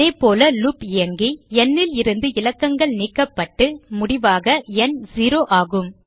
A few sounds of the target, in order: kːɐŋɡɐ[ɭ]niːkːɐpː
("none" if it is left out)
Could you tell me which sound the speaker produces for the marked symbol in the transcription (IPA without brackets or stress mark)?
ɭ